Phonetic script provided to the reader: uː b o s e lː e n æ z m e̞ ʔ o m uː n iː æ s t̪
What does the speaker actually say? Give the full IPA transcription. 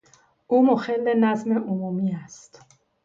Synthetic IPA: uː m o x e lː e n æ z m e̞ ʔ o m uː m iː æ s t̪